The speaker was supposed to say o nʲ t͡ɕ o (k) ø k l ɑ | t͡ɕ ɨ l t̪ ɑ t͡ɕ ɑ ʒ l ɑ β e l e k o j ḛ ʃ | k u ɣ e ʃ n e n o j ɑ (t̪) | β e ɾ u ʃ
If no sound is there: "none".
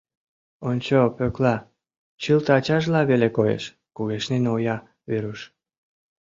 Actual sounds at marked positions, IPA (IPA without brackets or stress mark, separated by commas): p, none